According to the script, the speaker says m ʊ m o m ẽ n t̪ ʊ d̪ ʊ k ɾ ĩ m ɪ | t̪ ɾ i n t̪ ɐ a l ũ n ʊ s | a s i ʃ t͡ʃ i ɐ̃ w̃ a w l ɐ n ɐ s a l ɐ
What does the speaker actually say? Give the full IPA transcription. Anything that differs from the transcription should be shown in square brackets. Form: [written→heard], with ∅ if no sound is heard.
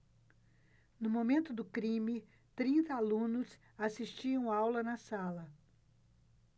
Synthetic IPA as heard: [m→n] ʊ m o m ẽ n t̪ ʊ d̪ ʊ k ɾ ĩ m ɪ | t̪ ɾ [i→ĩ] n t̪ ɐ a l ũ n ʊ s | a s i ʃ t͡ʃ i ɐ̃ w̃ a w l ɐ n ɐ s a l ɐ

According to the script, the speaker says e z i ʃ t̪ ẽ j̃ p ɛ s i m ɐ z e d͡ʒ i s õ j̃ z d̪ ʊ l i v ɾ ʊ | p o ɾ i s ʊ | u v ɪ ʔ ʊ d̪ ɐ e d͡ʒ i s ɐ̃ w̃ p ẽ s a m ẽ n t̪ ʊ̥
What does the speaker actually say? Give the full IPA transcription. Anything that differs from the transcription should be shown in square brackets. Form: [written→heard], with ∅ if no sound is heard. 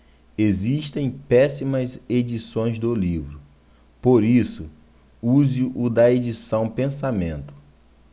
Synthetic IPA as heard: e z i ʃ t̪ ẽ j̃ p ɛ s i m ɐ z e d͡ʒ i s õ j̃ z d̪ ʊ l i v ɾ ʊ | p o ɾ i s ʊ | u [v→z] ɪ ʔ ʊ d̪ ɐ e d͡ʒ i s ɐ̃ w̃ p ẽ s a m ẽ n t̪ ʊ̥

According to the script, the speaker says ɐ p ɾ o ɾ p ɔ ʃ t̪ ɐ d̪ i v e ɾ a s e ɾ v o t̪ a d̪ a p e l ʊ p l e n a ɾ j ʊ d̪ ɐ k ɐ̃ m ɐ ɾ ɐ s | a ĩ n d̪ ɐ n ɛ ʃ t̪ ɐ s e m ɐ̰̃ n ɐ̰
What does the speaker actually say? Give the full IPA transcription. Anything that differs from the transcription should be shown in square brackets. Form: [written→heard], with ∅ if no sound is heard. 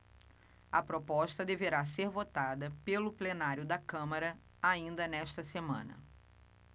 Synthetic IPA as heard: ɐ p ɾ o [ɾ→∅] p ɔ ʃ t̪ ɐ d̪ [i→e] v e ɾ a s e ɾ v o t̪ a d̪ [a→ɐ] p e l ʊ p l e n a ɾ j ʊ d̪ ɐ k ɐ̃ m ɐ ɾ ɐ [s→∅] | a ĩ n d̪ ɐ n ɛ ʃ t̪ ɐ s e m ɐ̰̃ n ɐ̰

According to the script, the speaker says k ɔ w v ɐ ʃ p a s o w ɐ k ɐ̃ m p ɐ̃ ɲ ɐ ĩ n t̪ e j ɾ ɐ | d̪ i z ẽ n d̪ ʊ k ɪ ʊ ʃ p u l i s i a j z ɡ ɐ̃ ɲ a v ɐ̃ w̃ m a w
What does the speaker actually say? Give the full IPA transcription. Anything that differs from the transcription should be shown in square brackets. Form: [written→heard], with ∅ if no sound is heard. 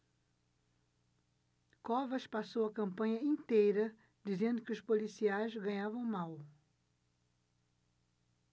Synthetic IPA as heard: k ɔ [w→∅] v ɐ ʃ p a s o w ɐ k ɐ̃ m p ɐ̃ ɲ ɐ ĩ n t̪ e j ɾ ɐ | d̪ i z ẽ n d̪ ʊ k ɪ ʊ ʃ p [u→o] l i s i a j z ɡ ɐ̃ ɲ a v ɐ̃ w̃ m a w

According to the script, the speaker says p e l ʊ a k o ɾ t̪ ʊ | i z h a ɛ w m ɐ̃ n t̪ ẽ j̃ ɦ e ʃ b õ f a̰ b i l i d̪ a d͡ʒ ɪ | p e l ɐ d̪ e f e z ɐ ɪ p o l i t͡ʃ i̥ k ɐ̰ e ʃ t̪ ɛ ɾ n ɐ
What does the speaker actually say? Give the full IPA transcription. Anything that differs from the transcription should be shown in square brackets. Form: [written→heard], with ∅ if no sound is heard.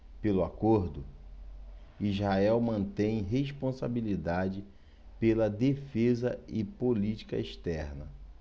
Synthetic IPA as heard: p e l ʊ a k o ɾ [t̪→d̪] ʊ | i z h a ɛ w m ɐ̃ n t̪ ẽ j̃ ɦ e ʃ [b→p] õ [f→s] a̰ b i l i d̪ a d͡ʒ ɪ | p e l ɐ d̪ e f e z ɐ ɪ p o l i t͡ʃ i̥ k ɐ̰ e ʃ t̪ ɛ ɾ n ɐ

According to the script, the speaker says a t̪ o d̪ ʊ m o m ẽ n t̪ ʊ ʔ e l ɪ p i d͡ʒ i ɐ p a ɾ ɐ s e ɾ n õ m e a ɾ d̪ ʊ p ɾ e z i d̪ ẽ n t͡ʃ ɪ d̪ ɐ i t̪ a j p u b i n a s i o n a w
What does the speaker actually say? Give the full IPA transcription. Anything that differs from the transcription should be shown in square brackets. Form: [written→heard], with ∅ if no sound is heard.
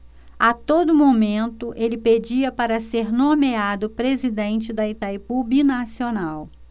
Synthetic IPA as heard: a t̪ o d̪ ʊ m o m ẽ n t̪ ʊ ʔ e l ɪ p [i→e] d͡ʒ i ɐ p a ɾ ɐ s e ɾ n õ m e a [ɾ→∅] d̪ ʊ p ɾ e z i d̪ ẽ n t͡ʃ ɪ d̪ ɐ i t̪ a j p u b i n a s i o n a w

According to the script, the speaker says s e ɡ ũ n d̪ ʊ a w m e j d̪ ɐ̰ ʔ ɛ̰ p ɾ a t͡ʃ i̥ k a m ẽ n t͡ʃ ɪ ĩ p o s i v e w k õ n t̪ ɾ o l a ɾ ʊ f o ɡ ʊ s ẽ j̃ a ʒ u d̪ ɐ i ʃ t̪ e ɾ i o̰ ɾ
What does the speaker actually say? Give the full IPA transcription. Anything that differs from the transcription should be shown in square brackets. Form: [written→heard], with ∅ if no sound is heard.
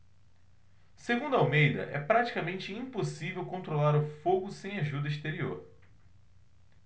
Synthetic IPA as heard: s e ɡ ũ n d̪ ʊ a w m e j d̪ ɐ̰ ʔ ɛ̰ p ɾ a t͡ʃ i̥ k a m ẽ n t͡ʃ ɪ ĩ p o s i v e w k õ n t̪ ɾ o l a ɾ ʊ f o ɡ ʊ s ẽ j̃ a ʒ u d̪ ɐ i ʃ t̪ e ɾ i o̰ ɾ

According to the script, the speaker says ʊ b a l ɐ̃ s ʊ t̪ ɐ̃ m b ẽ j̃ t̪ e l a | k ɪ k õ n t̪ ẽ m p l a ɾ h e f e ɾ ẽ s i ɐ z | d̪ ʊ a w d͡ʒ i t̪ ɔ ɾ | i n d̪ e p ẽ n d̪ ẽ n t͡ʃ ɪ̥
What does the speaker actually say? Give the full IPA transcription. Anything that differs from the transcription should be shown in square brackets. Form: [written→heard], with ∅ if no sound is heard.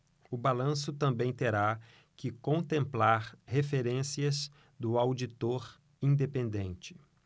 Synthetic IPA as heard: ʊ b a l ɐ̃ s ʊ t̪ ɐ̃ m b ẽ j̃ t̪ e [l→ɾ] a | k ɪ k õ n t̪ ẽ m p l a ɾ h e f e ɾ ẽ s i ɐ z | d̪ ʊ a w d͡ʒ i t̪ [ɔ→o] ɾ | [i→ĩ] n d̪ e p ẽ n d̪ ẽ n t͡ʃ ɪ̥

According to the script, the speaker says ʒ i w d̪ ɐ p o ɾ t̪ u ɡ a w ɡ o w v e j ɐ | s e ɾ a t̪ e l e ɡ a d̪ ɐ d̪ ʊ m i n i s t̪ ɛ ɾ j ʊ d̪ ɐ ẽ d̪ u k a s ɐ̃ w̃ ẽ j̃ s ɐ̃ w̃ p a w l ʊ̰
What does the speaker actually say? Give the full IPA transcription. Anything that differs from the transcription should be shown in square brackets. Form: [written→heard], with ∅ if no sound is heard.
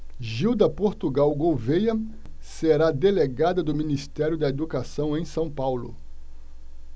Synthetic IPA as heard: ʒ i w d̪ ɐ p o ɾ t̪ u ɡ a w ɡ o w v e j ɐ | s e ɾ a [t̪→d̪] e l e ɡ a d̪ ɐ d̪ ʊ m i n i s t̪ ɛ ɾ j ʊ d̪ ɐ [ẽ→e] d̪ u k a s ɐ̃ w̃ ẽ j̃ s ɐ̃ w̃ p a w l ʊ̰

